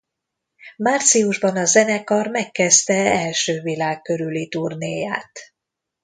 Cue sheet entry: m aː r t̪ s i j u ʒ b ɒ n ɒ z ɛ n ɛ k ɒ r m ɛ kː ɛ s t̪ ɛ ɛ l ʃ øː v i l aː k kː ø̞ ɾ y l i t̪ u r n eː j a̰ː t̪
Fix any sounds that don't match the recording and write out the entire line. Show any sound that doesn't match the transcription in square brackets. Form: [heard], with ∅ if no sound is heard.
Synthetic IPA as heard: m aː r t̪ s i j u ʒ b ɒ n ɒ z ɛ n ɛ k ɒ r m ɛ kː ɛ s t̪ ɛ ɛ l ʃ øː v i l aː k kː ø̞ ɾ y l i t̪ u r n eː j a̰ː t̪

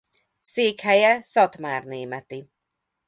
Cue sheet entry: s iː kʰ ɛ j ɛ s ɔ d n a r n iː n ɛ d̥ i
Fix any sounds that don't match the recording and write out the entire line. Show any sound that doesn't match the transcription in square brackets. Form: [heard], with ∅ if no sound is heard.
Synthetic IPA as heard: s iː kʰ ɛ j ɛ s ɔ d [m] a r n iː [m] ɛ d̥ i

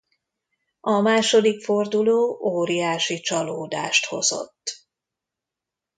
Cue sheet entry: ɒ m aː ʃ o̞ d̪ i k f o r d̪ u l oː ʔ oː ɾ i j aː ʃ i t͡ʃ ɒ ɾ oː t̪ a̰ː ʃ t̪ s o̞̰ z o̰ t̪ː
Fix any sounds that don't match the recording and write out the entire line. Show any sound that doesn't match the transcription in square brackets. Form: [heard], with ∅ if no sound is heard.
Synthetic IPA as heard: ɒ m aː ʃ o̞ d̪ i k f o r d̪ u l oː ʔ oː ɾ i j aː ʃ i t͡ʃ ɒ [l] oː [d̪] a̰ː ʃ t̪ [h] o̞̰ z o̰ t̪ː

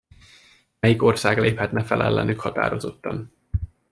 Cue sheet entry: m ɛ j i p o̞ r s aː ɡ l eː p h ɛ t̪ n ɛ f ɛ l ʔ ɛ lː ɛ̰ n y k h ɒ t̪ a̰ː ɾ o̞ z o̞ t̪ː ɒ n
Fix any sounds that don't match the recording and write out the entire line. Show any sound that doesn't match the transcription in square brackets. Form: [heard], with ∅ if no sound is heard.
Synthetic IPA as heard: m ɛ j i [k] o̞ r s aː ɡ l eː p h ɛ t̪ n ɛ f ɛ l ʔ ɛ lː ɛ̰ n y k h ɒ t̪ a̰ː ɾ o̞ z o̞ t̪ː ɒ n

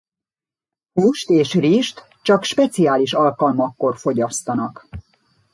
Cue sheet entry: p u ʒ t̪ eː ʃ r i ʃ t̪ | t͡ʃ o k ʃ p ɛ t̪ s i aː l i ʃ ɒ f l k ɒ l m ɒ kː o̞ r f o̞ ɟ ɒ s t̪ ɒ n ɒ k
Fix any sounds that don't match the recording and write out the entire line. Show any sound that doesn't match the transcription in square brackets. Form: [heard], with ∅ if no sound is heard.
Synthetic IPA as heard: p u [ʃ] t̪ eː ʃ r i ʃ t̪ | t͡ʃ [ɒ] k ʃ p ɛ t̪ s i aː l i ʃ ɒ [∅] l k ɒ l m ɒ kː o̞ r f o̞ ɟ ɒ s t̪ ɒ n ɒ k

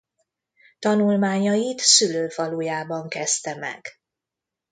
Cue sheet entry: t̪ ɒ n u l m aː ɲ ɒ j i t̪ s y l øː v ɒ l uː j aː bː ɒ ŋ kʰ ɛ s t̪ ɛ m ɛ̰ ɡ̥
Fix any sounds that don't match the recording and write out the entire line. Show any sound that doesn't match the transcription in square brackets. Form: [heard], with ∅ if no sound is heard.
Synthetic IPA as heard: t̪ ɒ n u l m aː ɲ ɒ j i t̪ s y l øː [f] ɒ l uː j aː [b] ɒ ŋ [k] ɛ s t̪ ɛ m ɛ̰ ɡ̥

